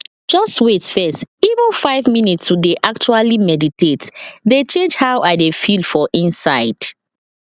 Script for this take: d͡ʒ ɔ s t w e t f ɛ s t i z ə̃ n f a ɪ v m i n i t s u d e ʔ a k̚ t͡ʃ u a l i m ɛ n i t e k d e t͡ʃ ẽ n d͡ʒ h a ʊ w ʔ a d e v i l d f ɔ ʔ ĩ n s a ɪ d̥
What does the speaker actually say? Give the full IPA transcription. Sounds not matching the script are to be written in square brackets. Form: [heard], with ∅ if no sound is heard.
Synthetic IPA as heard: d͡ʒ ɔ s t w e t f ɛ s t i [v] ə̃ n f a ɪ v m i n i t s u d e ʔ a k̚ t͡ʃ u a l i m ɛ [d] i t e [t] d e t͡ʃ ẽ n d͡ʒ h a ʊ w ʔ a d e [f] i l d f ɔ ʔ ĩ n s a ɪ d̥